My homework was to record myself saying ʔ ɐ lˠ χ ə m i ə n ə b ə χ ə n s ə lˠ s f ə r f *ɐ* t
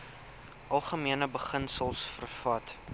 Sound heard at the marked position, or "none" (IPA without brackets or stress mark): ɐ